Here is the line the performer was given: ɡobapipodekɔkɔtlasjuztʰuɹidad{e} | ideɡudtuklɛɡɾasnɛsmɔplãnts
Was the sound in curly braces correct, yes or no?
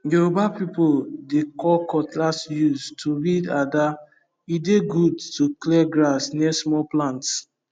no